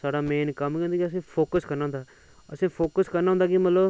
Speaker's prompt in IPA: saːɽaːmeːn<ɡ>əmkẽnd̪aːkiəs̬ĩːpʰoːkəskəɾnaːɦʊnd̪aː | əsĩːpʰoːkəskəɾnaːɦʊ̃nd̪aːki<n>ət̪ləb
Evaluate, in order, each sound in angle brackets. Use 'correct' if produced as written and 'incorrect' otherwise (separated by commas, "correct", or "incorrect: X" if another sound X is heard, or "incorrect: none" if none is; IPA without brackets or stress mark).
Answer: incorrect: k, incorrect: m